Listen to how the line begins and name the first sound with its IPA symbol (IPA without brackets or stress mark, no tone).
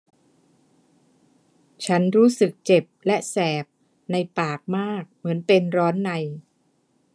t͡ɕʰ